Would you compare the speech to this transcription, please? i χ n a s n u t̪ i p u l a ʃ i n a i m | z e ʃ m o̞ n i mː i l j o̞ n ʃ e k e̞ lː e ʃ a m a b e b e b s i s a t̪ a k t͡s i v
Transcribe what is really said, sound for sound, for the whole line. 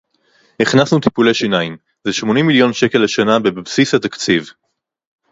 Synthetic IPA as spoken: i χ n a s n u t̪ i p u l e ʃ i n a i m | z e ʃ m o̞ n i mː i l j o̞ n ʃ e k e̞ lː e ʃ a n a b e b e b s i s a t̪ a k t͡s i v